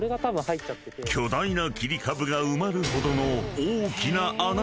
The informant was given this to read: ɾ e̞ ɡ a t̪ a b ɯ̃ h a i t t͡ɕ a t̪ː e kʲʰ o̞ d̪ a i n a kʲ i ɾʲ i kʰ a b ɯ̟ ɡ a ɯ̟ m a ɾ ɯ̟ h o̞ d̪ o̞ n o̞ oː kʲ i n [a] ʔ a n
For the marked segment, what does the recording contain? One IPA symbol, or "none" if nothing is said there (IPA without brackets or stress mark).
a